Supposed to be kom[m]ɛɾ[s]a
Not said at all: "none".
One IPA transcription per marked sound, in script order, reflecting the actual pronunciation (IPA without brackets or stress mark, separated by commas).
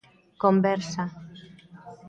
b, s